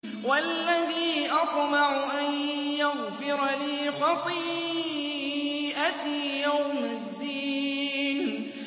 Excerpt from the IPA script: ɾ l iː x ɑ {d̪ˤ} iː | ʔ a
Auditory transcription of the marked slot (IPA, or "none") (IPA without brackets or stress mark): t̪ˤ